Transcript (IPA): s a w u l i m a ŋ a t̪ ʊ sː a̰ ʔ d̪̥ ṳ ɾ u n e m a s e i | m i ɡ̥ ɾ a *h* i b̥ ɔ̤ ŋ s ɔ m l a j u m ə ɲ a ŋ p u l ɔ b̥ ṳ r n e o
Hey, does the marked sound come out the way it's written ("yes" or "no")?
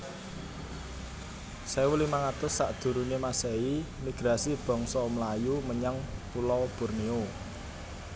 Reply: no